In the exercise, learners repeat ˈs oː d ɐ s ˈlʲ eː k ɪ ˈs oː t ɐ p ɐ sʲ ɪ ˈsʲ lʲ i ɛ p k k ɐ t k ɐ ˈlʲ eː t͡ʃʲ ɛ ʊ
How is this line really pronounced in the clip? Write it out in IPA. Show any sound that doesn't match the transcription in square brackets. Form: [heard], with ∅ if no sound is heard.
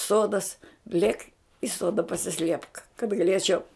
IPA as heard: ˈs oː d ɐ s ˈlʲ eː k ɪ ˈs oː [d] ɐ p ɐ sʲ ɪ ˈsʲ lʲ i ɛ p k k ɐ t [ɡ] ɐ ˈlʲ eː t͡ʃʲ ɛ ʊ